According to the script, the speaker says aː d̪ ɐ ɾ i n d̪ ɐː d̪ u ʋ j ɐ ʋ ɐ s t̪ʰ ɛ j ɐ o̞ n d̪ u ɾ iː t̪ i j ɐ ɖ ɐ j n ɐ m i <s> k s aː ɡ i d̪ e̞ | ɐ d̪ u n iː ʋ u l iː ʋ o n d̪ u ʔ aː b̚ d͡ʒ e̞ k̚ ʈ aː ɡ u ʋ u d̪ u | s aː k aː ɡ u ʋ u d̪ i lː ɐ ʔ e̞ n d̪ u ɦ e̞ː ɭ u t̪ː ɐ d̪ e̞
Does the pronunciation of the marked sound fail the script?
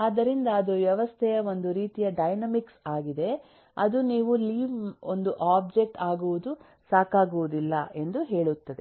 yes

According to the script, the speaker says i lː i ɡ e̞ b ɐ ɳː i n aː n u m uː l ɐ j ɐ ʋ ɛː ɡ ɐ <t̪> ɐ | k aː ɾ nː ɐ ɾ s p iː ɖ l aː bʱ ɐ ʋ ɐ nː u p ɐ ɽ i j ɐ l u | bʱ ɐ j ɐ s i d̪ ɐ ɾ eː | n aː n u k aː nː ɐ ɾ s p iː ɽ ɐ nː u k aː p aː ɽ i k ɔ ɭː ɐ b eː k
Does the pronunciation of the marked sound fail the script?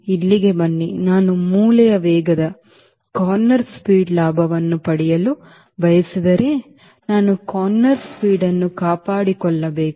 yes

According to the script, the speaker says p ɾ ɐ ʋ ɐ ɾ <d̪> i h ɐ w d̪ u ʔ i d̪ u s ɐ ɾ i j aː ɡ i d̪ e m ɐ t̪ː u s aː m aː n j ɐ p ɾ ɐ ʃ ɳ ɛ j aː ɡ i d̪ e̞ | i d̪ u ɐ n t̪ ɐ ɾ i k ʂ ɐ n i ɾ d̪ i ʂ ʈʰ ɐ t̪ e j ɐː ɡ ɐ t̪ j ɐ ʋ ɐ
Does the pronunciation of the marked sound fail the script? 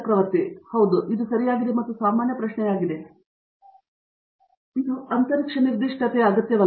yes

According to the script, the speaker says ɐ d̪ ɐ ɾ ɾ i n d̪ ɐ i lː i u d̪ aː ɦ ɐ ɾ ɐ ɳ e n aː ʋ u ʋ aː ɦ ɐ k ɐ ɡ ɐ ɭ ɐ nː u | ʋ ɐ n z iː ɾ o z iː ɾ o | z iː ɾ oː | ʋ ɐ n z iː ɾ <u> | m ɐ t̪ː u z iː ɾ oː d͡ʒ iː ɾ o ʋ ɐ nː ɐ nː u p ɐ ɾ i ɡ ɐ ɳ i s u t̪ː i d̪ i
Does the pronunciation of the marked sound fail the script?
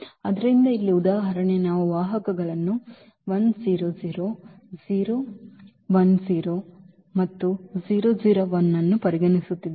yes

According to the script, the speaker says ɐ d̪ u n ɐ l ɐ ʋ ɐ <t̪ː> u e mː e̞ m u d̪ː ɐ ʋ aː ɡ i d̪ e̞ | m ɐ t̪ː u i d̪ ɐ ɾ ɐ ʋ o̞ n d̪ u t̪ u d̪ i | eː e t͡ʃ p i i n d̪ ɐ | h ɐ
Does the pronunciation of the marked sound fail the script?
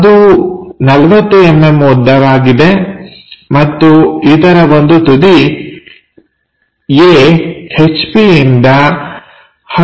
no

